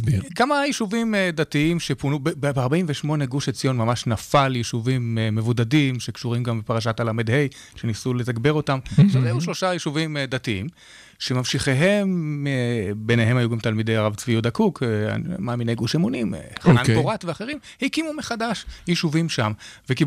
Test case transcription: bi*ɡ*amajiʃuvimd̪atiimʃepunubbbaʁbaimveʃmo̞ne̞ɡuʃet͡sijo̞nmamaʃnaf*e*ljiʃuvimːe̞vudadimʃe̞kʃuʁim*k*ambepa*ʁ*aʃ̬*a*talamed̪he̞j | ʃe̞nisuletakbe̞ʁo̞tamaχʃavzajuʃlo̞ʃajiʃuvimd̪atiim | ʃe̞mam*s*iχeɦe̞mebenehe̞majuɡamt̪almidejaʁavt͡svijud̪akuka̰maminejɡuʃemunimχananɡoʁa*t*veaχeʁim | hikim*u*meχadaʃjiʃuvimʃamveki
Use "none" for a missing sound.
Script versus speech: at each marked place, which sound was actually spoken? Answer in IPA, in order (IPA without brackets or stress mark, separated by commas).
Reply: k, a, ɡ, ʁ, a, ʃ, t, u